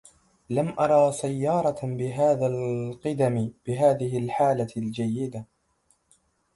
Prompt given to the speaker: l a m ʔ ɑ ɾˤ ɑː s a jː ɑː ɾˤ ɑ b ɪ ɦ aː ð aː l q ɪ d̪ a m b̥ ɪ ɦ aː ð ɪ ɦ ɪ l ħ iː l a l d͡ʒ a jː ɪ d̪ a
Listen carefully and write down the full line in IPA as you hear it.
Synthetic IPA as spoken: l a m ʔ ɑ ɾˤ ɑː s a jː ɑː ɾˤ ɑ b ɪ ɦ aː ð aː l q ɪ d̪ a m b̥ ɪ ɦ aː ð ɪ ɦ ɪ l ħ aː l a l d͡ʒ a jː ɪ d̪ a